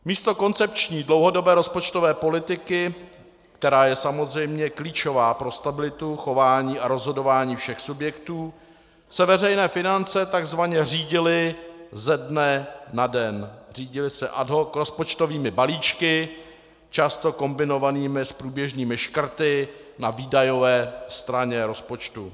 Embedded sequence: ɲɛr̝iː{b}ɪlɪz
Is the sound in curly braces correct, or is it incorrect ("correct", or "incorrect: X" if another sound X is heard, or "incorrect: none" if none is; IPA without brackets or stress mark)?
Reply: incorrect: ɟ